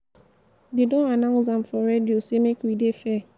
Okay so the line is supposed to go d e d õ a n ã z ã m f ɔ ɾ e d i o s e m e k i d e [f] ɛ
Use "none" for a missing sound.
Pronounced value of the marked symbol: f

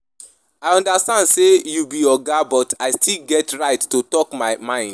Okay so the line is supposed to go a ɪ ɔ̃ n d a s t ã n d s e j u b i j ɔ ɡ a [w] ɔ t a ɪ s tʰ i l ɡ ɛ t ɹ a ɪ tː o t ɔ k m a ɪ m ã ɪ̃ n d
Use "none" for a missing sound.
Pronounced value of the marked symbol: b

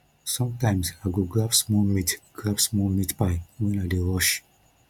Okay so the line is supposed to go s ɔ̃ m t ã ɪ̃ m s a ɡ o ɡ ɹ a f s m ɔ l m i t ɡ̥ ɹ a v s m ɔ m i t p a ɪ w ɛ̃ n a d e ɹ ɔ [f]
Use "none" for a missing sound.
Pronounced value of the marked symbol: ʃ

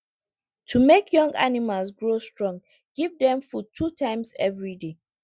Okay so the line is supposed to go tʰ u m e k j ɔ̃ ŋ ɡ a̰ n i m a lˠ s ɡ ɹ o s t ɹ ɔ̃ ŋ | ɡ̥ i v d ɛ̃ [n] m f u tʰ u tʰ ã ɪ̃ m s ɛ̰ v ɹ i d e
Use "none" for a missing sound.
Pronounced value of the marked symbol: none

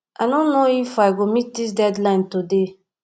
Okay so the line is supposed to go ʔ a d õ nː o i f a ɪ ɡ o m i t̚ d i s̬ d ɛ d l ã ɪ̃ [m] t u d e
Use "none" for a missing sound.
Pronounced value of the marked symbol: n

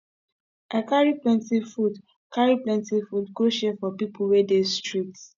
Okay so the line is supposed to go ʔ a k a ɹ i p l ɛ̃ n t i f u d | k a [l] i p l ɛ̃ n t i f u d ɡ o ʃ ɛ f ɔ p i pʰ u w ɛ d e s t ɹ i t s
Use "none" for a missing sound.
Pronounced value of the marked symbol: ɹ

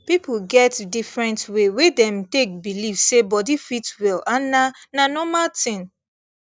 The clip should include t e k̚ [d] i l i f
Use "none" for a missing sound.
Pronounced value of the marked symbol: b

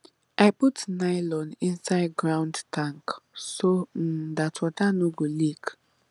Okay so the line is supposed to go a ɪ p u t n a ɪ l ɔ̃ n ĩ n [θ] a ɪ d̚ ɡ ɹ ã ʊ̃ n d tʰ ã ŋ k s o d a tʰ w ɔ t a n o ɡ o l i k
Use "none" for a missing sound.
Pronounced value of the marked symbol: s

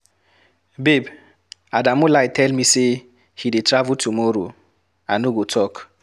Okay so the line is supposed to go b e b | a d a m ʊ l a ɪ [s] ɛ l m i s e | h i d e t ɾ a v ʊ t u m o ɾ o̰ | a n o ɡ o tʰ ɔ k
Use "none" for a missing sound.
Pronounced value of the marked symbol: t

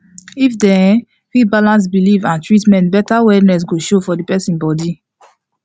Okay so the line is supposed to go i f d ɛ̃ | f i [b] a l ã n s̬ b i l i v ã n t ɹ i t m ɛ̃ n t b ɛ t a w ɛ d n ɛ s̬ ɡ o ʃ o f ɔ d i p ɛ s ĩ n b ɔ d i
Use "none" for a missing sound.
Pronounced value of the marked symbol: b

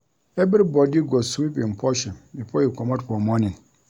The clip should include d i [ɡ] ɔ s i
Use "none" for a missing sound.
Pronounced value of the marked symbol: ɡ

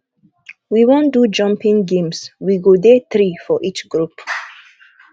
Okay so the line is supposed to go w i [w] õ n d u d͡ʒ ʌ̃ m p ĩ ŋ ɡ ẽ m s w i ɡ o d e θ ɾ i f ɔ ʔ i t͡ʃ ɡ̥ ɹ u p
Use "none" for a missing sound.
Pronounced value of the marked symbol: w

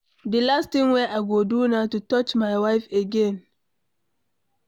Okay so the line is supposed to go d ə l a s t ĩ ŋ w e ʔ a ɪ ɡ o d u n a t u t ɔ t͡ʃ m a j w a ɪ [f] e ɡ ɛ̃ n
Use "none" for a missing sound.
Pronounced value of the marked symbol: f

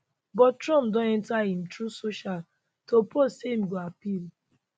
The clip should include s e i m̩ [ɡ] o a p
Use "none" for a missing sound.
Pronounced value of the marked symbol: ɡ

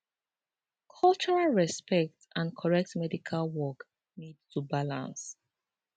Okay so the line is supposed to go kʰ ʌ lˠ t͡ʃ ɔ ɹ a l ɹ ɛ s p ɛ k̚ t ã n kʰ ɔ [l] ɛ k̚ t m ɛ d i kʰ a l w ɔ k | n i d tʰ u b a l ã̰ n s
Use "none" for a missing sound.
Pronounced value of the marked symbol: ɹ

